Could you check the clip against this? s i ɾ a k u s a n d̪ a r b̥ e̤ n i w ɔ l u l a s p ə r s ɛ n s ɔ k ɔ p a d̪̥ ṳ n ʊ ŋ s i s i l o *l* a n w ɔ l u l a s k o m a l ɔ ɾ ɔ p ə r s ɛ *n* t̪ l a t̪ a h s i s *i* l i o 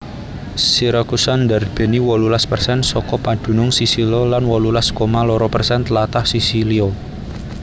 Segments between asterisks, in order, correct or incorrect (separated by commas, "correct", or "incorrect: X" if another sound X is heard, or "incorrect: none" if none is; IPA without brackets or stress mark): correct, correct, correct